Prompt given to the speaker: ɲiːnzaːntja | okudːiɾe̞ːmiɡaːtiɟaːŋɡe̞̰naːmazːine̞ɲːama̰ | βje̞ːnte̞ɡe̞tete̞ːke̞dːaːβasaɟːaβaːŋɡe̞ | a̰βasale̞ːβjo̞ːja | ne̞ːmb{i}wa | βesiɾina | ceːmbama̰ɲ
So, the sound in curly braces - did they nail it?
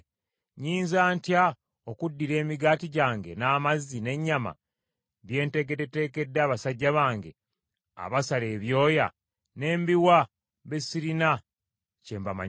yes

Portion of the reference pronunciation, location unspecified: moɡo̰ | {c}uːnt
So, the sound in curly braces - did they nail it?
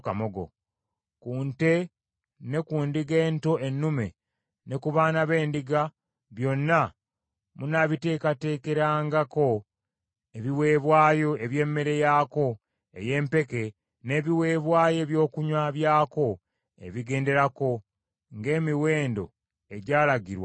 no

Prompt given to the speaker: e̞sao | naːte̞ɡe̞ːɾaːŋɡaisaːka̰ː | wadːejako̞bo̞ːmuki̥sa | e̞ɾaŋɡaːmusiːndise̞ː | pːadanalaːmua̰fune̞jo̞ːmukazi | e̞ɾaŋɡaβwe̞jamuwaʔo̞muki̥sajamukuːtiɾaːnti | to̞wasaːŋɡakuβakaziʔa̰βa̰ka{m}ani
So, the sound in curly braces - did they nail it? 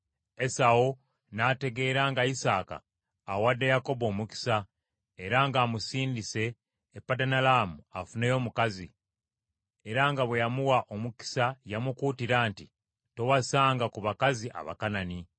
no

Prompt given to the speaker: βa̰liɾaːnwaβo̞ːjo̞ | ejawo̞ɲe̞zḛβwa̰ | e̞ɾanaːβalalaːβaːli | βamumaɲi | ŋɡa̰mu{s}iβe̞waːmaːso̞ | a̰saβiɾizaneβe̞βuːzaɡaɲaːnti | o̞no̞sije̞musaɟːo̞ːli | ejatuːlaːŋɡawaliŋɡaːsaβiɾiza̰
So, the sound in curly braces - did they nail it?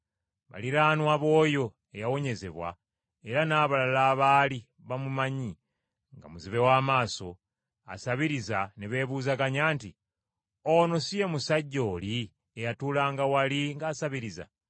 no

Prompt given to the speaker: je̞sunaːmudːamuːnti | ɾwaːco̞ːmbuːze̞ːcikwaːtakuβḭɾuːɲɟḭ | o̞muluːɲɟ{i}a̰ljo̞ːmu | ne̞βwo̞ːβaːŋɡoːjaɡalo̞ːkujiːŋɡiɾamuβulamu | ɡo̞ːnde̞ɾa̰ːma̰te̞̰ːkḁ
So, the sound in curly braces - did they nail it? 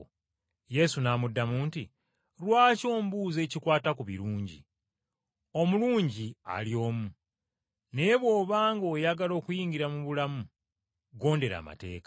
yes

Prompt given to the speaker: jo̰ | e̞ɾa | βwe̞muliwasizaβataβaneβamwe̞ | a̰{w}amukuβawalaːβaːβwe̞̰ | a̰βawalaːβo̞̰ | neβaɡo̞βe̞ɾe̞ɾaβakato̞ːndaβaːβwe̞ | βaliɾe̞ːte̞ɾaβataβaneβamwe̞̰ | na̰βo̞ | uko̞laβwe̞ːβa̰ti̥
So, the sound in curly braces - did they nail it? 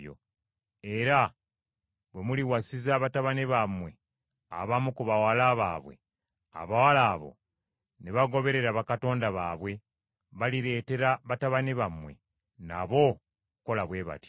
no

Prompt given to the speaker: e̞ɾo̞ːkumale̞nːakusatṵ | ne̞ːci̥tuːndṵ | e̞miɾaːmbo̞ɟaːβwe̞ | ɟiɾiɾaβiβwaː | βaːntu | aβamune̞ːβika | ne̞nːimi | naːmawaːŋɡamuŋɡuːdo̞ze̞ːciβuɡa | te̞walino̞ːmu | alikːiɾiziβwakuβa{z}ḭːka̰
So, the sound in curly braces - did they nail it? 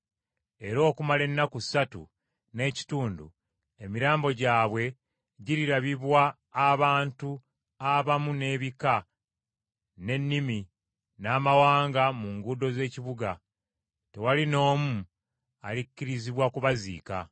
yes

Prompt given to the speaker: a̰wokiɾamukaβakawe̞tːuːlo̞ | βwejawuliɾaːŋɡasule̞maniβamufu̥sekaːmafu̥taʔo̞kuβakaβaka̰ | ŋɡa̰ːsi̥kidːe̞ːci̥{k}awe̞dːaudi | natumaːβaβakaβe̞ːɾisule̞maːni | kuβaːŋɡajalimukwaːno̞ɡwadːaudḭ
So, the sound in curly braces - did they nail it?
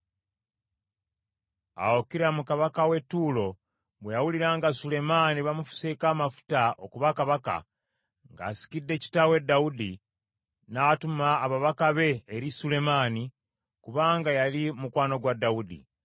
no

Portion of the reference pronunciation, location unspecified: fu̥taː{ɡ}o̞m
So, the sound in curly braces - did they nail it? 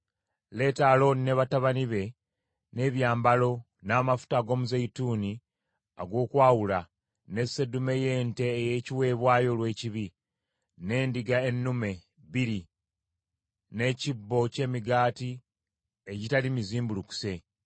yes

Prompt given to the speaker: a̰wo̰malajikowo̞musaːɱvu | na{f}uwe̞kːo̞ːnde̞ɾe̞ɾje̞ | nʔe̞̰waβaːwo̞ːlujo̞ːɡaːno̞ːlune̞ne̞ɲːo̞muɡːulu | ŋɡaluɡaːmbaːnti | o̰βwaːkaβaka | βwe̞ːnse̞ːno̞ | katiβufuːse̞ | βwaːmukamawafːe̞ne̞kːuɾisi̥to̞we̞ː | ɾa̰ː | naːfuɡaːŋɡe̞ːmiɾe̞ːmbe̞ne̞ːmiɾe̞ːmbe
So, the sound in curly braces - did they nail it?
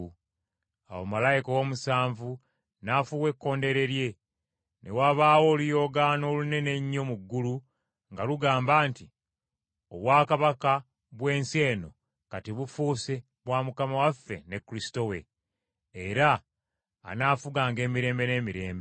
yes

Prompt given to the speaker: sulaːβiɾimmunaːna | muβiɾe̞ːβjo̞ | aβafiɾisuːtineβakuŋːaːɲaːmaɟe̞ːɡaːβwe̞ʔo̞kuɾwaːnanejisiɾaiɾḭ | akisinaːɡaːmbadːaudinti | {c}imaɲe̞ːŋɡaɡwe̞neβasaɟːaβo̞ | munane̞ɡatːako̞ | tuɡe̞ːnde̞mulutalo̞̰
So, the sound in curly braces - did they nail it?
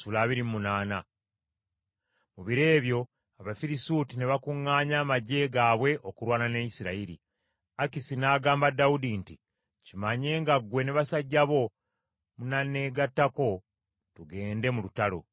yes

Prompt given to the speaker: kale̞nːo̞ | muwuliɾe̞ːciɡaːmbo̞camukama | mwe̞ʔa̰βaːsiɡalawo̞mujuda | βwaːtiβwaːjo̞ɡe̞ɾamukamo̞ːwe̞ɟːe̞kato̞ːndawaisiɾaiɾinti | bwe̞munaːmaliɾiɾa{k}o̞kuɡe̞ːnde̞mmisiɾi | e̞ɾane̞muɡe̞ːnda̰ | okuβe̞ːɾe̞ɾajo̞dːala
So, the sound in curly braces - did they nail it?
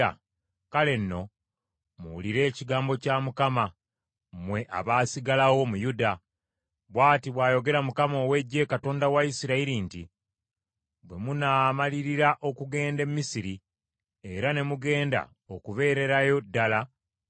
no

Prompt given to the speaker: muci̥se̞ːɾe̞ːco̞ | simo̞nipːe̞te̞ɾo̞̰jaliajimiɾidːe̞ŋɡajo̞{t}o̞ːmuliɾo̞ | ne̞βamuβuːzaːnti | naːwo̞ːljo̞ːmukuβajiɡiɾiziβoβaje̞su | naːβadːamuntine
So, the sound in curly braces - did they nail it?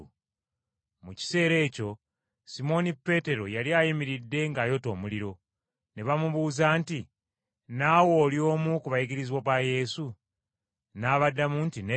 yes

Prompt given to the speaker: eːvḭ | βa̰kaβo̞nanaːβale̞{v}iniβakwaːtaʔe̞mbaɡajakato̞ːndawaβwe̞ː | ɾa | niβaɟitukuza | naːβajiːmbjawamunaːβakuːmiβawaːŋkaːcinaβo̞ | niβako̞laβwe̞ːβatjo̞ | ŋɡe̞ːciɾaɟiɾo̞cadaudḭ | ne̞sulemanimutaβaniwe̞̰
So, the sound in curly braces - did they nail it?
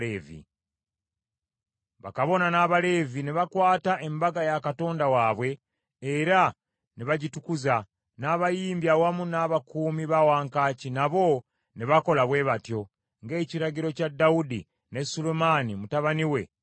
yes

